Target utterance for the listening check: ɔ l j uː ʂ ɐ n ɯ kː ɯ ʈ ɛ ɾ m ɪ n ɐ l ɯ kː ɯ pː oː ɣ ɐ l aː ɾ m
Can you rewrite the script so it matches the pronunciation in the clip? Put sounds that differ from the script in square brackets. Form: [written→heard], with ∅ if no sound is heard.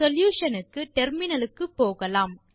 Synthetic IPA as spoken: ɔ l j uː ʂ ɐ n ɯ kː ɯ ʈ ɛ ɾ m ɪ n ɐ l ɯ kː ɯ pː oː ɣ ɐ l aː [ɾ→∅] m

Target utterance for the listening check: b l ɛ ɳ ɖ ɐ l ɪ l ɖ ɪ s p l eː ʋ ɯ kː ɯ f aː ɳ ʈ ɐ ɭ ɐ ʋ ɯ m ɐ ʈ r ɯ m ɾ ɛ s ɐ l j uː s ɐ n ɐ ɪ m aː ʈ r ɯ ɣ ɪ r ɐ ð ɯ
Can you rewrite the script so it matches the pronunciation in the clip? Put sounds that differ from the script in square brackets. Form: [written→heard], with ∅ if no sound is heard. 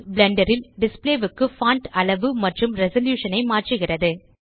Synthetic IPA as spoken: b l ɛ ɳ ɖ ɐ [l→ɾ] ɪ l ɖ ɪ s p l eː ʋ ɯ kː ɯ f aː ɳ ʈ ɐ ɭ ɐ ʋ ɯ m ɐ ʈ r ɯ m ɾ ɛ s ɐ l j uː [s→ʂ] ɐ n ɐ ɪ m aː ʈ r ɯ ɣ ɪ r ɐ ð ɯ

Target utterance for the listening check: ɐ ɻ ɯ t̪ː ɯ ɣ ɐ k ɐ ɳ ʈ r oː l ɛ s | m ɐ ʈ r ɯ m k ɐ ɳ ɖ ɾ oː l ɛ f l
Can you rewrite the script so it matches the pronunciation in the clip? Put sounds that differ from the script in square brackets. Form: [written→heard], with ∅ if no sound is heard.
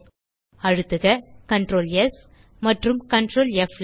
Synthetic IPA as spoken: ɐ ɻ ɯ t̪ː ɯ ɣ ɐ k ɐ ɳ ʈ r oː l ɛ s | m ɐ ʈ r ɯ m k ɐ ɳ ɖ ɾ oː l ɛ f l

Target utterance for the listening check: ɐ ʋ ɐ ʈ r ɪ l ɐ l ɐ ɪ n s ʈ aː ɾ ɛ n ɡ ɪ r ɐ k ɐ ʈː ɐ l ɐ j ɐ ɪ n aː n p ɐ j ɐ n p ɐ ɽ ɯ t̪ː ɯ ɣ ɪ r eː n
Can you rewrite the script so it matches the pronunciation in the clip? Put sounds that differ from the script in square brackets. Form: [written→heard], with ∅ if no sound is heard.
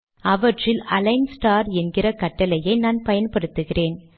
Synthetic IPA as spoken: ɐ ʋ ɐ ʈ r ɪ l ɐ l ɐ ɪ n s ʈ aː ɾ ɛ n ɡ ɪ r ɐ k ɐ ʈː ɐ l ɐ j ɐ ɪ n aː n p ɐ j ɐ n p ɐ ɽ ɯ t̪ː ɯ ɣ ɪ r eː n

